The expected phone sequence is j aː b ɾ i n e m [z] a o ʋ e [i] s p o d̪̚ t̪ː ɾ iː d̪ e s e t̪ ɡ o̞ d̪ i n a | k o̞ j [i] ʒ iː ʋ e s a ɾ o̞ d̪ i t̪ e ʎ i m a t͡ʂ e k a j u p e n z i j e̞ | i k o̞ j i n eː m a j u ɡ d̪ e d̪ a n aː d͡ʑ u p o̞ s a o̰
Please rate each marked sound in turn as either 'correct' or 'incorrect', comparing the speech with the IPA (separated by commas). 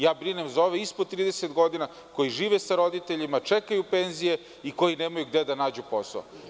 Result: correct, correct, correct